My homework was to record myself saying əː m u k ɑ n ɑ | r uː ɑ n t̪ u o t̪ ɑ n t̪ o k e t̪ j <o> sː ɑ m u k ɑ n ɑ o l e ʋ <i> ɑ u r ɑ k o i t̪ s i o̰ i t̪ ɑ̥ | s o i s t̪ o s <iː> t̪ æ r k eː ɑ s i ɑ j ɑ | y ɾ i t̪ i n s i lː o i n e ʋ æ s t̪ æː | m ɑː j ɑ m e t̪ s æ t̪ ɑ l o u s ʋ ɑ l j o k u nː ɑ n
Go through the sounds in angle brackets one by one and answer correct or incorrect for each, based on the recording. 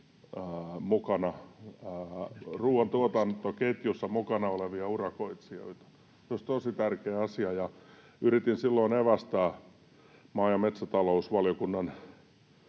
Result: incorrect: u, correct, incorrect: i

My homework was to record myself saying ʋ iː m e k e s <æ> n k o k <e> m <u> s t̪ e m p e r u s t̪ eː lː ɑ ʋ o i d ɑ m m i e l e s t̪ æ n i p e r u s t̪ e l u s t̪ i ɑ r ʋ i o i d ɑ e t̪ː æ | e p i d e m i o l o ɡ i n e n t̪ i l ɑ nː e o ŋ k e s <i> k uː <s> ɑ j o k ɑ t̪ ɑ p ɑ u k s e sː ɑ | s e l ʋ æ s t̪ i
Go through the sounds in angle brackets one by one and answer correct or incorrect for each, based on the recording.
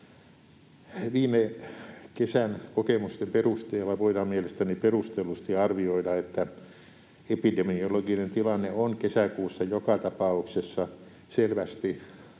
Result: correct, correct, correct, incorrect: æ, incorrect: sː

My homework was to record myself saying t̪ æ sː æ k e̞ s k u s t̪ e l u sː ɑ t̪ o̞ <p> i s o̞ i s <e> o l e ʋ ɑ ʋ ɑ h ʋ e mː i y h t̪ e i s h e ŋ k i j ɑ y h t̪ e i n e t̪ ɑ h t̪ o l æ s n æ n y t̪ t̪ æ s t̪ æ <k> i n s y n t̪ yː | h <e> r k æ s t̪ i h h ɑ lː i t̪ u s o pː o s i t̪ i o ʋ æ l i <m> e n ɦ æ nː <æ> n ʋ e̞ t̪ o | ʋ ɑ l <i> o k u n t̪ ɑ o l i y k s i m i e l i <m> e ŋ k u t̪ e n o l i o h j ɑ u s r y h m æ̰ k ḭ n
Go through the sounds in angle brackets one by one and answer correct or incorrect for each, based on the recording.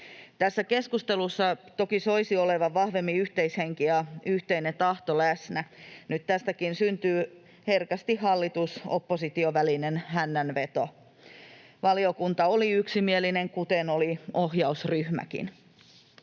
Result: incorrect: k, incorrect: i, correct, correct, incorrect: n, correct, correct, incorrect: n

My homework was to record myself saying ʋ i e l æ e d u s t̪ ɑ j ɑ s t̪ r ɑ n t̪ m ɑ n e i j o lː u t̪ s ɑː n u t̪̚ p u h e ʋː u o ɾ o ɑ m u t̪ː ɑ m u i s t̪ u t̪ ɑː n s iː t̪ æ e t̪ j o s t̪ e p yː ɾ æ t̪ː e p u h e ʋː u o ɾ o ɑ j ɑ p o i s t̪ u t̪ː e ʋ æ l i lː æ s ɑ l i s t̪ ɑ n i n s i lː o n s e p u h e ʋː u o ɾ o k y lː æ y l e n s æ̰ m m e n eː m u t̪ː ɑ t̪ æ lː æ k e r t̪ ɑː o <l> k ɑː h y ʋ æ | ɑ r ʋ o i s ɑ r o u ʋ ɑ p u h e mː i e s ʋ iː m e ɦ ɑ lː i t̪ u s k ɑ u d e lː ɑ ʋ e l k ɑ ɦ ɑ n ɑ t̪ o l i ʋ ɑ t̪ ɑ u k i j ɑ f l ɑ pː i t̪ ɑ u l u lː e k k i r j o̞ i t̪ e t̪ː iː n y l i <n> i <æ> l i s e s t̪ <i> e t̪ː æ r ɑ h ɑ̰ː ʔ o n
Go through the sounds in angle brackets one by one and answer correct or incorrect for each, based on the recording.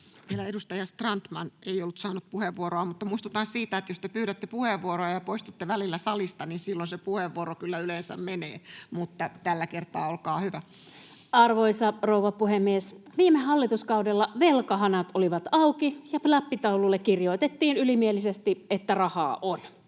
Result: correct, incorrect: m, incorrect: e, correct

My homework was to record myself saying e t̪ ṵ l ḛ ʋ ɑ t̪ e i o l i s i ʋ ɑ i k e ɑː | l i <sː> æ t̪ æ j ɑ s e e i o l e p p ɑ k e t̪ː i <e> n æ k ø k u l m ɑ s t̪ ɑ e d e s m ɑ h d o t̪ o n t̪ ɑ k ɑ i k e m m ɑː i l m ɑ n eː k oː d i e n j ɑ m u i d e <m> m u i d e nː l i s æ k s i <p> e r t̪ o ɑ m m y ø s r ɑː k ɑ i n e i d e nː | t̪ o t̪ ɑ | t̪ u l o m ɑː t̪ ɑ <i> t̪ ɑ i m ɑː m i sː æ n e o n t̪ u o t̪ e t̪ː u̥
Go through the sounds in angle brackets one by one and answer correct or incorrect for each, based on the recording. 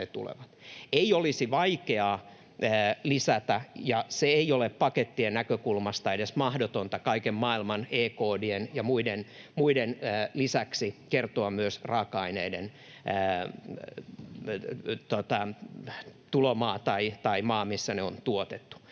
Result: incorrect: s, correct, incorrect: n, incorrect: k, correct

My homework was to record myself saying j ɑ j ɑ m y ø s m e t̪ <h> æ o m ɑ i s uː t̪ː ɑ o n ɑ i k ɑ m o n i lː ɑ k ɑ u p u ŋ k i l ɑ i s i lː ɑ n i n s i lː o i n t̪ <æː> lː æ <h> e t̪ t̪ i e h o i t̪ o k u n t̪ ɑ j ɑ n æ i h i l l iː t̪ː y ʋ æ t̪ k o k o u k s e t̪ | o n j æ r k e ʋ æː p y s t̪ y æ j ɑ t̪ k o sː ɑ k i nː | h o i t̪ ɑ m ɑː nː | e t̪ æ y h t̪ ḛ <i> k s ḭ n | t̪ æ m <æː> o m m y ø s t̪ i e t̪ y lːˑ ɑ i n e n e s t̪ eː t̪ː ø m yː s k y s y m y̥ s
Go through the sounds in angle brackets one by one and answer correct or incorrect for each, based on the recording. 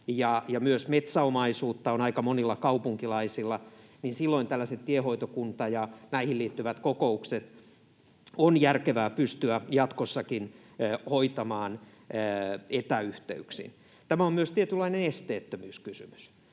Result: incorrect: s, incorrect: æ, incorrect: s, incorrect: y, incorrect: æ

